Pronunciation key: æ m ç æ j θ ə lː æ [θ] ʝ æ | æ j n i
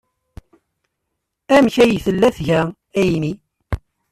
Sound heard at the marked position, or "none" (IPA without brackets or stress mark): θ